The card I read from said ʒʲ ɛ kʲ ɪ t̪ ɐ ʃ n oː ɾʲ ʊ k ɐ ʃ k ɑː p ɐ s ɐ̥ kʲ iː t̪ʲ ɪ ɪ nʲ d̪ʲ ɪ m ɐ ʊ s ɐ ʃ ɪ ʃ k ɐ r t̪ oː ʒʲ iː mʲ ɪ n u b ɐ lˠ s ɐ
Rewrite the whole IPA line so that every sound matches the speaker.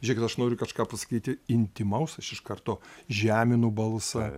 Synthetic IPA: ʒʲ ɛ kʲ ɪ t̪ ɐ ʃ n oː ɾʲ ʊ k ɐ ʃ k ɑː p ɐ s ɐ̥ kʲ iː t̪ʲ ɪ ɪ nʲ t̪ʲ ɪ m ɐ ʊ s ɐ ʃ ɪ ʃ k ɐ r t̪ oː ʒʲ æː mʲ ɪ n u b ɐ lˠ s ɐ